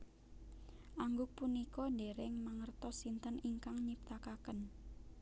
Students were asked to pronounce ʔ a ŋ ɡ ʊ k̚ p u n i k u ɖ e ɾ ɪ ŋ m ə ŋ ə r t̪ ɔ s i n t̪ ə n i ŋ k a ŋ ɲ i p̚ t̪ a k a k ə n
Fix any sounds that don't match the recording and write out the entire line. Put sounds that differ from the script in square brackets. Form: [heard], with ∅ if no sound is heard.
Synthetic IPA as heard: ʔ a ŋ ɡ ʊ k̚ p u n i k [ɔ] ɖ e ɾ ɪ ŋ m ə ŋ ə r t̪ ɔ s i n t̪ ə n i ŋ k a ŋ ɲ i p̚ t̪ a k a k ə n